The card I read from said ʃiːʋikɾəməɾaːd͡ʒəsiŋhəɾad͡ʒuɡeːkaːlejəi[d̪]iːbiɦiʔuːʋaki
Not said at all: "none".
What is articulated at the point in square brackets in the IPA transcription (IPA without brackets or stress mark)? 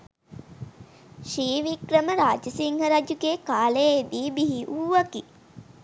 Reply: d̪